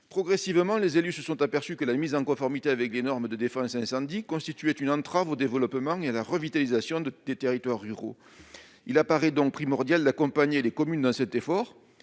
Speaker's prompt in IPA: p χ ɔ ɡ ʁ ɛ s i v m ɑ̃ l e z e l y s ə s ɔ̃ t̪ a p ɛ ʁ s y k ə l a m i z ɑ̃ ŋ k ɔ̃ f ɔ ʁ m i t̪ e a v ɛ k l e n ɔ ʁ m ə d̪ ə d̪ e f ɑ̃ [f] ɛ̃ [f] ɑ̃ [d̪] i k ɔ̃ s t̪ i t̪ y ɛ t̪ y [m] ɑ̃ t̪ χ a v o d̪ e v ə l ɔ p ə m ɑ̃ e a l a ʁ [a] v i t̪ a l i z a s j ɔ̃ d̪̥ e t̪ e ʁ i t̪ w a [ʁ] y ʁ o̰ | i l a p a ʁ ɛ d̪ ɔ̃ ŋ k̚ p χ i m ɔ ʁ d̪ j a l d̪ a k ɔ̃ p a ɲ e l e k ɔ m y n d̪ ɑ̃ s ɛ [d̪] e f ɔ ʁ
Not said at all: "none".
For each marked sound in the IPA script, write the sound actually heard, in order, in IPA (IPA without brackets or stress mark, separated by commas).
s, s, d̪, n, ə, ʁː, t̪